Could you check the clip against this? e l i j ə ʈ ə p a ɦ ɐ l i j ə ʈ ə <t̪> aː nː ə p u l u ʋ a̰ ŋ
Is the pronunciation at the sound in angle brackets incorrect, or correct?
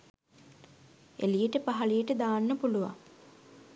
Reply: incorrect